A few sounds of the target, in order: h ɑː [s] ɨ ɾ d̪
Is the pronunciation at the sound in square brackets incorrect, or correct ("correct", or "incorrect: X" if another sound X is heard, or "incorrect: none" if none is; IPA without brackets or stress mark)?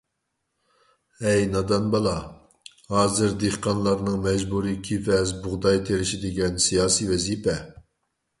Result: incorrect: z